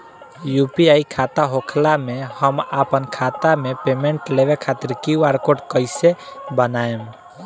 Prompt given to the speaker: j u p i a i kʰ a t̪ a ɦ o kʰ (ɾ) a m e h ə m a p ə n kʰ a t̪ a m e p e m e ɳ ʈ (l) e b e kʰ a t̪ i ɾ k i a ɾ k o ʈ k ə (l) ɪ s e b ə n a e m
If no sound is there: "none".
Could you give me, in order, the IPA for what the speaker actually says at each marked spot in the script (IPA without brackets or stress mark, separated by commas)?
l, l, none